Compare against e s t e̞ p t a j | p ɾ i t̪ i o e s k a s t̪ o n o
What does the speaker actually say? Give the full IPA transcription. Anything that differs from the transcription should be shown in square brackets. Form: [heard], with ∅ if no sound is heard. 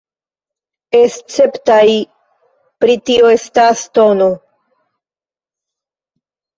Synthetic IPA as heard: e s [t͡s] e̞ p t a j | p ɾ i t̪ i o e s [t] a s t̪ o n o